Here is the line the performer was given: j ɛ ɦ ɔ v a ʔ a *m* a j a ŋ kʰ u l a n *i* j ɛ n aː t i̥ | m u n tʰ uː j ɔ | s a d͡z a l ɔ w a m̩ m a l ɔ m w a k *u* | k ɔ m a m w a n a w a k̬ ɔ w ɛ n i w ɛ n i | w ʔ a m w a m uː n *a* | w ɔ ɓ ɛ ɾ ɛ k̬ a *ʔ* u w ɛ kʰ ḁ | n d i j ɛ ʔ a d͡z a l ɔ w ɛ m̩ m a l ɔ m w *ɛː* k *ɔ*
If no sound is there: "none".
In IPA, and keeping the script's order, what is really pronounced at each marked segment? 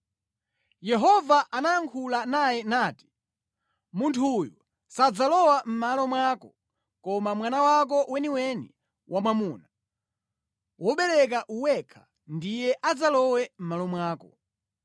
n, a, ɔ, a, ʔ, aː, ɔ

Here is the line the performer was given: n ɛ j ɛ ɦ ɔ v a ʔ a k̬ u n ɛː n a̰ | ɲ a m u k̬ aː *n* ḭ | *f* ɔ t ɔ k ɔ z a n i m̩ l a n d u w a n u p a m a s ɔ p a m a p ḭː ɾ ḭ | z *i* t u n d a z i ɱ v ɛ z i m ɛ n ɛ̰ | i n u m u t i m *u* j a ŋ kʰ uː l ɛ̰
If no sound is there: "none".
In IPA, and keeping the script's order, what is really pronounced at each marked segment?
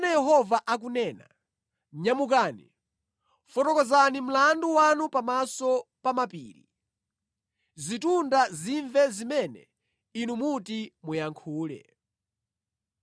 n, f, i, u

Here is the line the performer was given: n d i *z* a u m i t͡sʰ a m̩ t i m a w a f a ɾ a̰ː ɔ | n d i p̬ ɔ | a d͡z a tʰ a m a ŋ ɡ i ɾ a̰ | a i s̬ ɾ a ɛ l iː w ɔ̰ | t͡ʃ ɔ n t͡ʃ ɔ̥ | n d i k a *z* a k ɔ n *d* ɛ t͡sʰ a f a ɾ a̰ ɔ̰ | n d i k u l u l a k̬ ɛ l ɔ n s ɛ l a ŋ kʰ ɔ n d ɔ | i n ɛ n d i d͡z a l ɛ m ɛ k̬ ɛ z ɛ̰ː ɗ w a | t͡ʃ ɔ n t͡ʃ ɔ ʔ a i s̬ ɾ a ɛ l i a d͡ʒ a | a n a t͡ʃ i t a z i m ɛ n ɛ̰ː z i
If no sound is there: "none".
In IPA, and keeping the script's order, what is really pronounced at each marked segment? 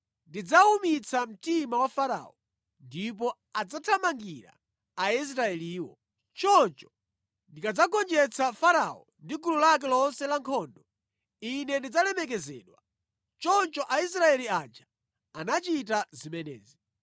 d͡z, d͡z, d͡ʒ

